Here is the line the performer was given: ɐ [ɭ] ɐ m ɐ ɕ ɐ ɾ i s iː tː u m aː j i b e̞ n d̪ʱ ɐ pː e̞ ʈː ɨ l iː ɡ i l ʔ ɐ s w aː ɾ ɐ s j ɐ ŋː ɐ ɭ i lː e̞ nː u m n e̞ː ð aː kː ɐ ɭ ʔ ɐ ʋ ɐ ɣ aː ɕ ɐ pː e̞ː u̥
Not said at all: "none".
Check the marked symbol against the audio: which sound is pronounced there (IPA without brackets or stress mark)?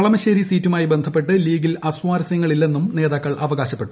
ɭ